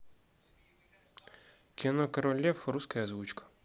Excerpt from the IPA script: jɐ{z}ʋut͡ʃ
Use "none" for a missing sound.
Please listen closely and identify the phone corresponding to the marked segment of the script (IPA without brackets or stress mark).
z